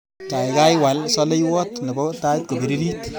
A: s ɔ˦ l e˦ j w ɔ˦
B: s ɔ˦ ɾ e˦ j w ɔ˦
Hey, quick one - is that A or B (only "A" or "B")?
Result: A